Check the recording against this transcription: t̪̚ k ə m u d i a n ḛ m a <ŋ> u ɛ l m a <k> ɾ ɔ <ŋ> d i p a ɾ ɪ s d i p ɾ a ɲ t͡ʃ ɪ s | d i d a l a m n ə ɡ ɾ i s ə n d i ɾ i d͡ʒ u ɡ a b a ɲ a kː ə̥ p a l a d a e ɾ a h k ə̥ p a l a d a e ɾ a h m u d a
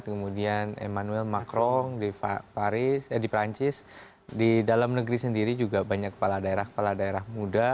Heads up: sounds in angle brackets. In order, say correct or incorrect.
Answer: incorrect: n, correct, correct

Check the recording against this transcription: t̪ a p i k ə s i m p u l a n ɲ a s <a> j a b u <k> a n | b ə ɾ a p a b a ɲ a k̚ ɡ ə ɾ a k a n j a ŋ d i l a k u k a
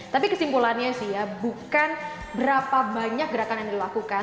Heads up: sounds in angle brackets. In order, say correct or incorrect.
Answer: incorrect: i, correct

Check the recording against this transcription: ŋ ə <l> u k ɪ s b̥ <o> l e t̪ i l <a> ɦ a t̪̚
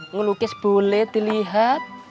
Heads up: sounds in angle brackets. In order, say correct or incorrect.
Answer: correct, correct, incorrect: i

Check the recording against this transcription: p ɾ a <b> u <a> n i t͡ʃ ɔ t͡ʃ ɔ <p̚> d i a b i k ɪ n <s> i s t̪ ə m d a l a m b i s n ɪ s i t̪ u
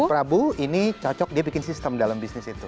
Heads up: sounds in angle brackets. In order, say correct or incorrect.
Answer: correct, incorrect: i, incorrect: k̚, correct

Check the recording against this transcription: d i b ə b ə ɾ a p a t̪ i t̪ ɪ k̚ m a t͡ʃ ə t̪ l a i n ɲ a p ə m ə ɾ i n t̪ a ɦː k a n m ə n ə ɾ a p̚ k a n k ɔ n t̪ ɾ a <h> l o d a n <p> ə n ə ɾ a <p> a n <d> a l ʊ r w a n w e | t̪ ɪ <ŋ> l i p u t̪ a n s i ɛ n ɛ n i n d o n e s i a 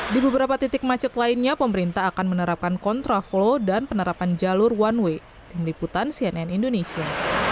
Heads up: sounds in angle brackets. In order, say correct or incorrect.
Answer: incorrect: f, correct, correct, incorrect: d͡ʒ, incorrect: m

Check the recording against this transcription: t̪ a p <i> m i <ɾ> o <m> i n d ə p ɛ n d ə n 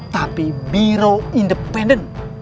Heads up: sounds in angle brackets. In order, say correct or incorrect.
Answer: correct, correct, incorrect: none

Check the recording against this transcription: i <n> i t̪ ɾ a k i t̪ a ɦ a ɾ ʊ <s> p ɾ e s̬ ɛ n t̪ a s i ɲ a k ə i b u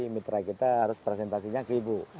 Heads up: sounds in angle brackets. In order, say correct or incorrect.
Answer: incorrect: m, correct

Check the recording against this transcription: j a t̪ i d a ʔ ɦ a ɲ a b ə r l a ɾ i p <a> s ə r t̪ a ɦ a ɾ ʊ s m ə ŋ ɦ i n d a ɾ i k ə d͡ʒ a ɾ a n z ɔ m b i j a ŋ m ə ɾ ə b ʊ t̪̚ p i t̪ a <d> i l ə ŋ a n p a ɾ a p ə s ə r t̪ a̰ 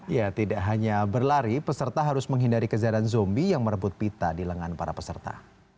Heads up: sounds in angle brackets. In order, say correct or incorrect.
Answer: incorrect: ə, correct

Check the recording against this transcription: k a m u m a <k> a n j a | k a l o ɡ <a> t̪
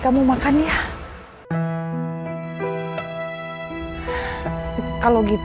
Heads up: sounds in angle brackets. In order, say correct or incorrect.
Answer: correct, incorrect: i

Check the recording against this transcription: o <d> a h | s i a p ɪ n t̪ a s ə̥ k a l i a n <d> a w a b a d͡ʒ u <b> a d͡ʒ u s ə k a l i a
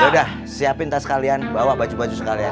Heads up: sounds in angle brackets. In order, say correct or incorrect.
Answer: correct, incorrect: b, correct

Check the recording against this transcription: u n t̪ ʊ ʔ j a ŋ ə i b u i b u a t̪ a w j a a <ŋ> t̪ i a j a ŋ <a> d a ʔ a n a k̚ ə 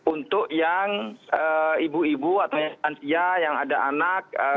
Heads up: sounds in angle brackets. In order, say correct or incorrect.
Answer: incorrect: n, correct

